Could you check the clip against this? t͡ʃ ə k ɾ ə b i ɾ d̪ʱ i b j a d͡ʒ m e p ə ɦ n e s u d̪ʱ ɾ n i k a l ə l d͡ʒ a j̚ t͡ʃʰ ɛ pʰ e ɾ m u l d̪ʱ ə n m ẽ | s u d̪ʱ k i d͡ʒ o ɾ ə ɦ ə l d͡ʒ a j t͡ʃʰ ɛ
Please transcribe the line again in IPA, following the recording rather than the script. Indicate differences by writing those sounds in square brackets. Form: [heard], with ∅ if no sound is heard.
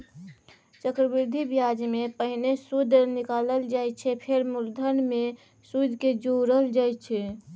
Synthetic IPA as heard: t͡ʃ ə k ɾ ə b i ɾ d̪ʱ i b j a d͡ʒ m e p ə ɦ n e s u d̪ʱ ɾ n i k a l ə l d͡ʒ a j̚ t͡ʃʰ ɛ pʰ e ɾ m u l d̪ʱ ə n m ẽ | s u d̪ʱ k [e] d͡ʒ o ɾ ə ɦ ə l d͡ʒ a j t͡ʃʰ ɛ